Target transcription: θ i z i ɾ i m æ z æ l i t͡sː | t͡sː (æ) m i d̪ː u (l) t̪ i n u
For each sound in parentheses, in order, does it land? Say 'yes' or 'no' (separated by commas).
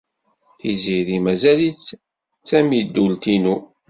yes, yes